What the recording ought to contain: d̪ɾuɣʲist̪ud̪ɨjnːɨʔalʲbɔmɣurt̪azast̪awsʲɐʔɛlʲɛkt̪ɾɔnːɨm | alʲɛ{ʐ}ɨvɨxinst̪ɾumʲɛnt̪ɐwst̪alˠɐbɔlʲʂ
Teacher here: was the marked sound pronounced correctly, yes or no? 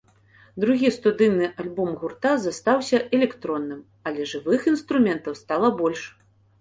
yes